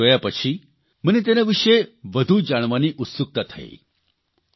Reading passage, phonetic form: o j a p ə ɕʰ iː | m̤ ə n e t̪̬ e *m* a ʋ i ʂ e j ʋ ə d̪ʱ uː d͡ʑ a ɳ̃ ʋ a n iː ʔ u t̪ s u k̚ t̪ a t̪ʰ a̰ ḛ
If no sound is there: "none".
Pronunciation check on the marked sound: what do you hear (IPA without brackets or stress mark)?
n